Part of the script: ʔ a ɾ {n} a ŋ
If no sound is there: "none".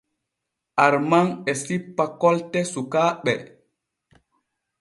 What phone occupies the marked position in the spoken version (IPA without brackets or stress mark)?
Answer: m